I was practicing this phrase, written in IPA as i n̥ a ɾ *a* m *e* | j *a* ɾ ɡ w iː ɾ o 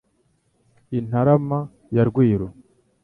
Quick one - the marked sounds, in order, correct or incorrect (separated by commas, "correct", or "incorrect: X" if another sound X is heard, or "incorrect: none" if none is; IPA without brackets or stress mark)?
correct, incorrect: a, correct